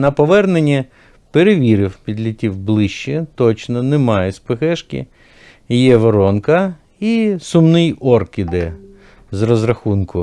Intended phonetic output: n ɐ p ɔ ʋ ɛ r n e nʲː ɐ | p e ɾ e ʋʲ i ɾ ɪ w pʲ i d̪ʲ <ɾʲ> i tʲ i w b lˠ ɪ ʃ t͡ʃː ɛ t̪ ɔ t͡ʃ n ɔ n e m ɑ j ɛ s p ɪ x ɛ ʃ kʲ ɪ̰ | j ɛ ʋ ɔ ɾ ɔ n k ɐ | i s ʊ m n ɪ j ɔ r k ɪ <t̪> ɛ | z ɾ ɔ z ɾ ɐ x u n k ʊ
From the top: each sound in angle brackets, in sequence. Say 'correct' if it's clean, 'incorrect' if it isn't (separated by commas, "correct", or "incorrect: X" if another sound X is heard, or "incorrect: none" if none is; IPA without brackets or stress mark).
incorrect: lʲ, incorrect: d̪